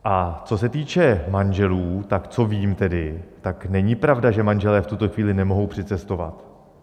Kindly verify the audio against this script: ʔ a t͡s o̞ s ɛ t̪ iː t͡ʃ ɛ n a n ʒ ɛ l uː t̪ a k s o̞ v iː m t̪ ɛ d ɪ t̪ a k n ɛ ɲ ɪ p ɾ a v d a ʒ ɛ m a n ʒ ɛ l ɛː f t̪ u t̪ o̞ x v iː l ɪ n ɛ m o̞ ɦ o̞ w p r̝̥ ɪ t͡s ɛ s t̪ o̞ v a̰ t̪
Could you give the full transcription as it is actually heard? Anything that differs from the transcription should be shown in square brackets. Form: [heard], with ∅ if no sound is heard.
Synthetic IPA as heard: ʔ a t͡s o̞ s ɛ t̪ iː t͡ʃ ɛ [m] a n ʒ ɛ l uː t̪ a k [t͡s] o̞ v iː m t̪ ɛ d ɪ t̪ a k n ɛ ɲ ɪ p ɾ a v d a ʒ ɛ m a n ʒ ɛ l ɛː f t̪ u t̪ o̞ x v iː l ɪ n ɛ m o̞ ɦ o̞ w p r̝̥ ɪ t͡s ɛ s t̪ o̞ v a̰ t̪